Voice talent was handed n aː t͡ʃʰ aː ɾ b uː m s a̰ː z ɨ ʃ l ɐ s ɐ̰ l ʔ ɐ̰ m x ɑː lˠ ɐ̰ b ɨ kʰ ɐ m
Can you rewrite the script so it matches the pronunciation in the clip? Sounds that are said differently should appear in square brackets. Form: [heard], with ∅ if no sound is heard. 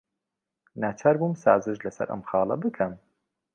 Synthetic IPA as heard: n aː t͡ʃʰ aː ɾ b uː m s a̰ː z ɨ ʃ l ɐ s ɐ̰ [ɾ] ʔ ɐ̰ m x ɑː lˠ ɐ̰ b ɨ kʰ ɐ m